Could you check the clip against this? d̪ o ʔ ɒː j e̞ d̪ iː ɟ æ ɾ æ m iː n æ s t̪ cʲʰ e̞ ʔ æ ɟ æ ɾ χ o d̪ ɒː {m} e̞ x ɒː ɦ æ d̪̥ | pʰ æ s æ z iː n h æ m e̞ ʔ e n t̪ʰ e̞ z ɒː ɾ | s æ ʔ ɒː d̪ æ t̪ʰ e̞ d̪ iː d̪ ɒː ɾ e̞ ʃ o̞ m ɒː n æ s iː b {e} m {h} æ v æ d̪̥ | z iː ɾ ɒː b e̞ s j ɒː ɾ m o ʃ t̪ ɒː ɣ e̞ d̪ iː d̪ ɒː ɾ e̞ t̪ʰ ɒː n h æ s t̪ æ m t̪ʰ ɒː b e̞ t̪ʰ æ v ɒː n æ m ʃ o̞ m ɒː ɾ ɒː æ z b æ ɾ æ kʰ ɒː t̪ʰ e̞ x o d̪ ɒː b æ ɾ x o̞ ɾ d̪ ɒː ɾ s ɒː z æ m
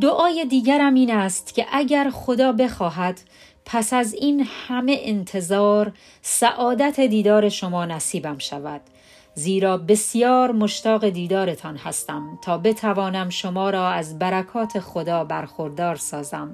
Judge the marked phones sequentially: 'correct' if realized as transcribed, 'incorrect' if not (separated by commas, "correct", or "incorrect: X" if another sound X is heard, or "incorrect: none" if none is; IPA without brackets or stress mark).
incorrect: b, incorrect: æ, incorrect: ʃ